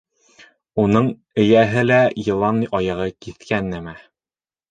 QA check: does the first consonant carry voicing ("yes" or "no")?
yes